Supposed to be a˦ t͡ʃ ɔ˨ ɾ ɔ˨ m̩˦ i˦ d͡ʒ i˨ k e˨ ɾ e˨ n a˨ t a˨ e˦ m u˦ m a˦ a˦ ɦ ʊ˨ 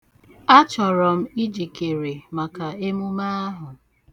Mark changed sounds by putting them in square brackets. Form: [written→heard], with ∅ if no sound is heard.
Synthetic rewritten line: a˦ t͡ʃ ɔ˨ ɾ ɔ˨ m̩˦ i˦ d͡ʒ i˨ k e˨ ɾ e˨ [n→m] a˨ [t→k] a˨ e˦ m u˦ m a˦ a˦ ɦ ʊ˨